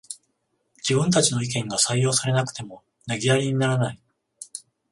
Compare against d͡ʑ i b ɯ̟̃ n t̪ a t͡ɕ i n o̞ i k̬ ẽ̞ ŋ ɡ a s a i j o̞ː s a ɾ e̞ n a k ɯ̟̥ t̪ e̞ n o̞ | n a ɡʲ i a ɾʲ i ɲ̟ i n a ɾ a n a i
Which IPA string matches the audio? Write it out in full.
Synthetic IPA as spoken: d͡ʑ i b ɯ̟̃ n t̪ a t͡ɕ i n o̞ i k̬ ẽ̞ ŋ ɡ a s a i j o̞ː s a ɾ e̞ n a k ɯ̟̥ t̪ e̞ m o̞ | n a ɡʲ i a ɾʲ i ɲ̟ i n a ɾ a n a i